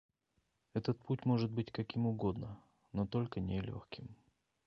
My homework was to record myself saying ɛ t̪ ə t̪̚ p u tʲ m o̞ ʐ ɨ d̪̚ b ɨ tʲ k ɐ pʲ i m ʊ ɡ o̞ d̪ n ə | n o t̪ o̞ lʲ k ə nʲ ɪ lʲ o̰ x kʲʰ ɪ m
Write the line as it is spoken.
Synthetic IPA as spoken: ɛ t̪ ə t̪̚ p u tʲ m o̞ ʐ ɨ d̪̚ b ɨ tʲ k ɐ kʲ i m ʊ ɡ o̞ d̪ n ə | n o t̪ o̞ lʲ k ə nʲ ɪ lʲ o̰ x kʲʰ ɪ m